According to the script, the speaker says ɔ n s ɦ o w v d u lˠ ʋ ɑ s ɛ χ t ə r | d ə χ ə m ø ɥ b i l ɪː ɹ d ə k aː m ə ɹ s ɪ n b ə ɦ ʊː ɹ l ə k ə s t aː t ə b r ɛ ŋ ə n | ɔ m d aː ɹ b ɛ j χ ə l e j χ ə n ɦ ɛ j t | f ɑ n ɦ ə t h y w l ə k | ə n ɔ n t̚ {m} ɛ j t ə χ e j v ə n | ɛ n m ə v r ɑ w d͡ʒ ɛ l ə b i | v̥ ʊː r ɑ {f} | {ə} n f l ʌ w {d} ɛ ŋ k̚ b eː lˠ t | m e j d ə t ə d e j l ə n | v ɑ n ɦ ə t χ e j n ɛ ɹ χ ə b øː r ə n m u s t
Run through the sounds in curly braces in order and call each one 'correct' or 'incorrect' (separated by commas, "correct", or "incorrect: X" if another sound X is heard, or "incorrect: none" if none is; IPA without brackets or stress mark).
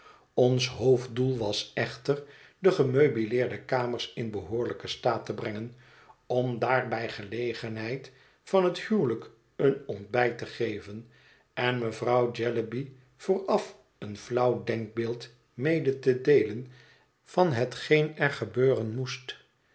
incorrect: b, correct, correct, correct